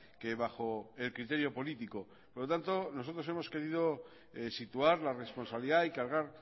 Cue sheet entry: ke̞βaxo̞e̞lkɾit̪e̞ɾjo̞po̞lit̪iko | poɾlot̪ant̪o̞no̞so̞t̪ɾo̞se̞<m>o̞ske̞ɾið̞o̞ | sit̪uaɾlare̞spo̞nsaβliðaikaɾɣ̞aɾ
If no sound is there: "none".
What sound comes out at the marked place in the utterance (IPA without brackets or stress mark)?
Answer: m